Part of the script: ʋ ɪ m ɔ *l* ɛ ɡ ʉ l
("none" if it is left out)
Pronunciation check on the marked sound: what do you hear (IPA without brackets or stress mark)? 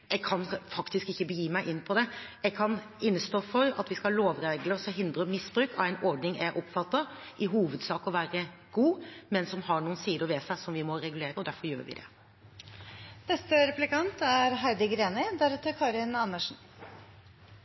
ɾ